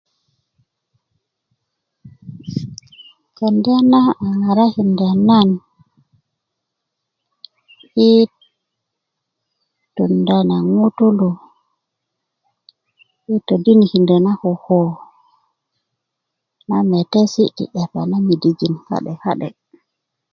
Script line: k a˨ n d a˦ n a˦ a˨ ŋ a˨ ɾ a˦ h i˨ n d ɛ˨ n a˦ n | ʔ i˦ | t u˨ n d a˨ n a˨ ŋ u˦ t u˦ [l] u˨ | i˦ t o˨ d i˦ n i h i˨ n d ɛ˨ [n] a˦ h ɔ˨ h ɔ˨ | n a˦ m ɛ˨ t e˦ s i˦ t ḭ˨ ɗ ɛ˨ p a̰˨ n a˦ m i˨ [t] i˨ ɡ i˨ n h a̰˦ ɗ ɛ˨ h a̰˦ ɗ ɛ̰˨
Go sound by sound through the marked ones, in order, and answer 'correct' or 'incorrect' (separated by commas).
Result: correct, correct, incorrect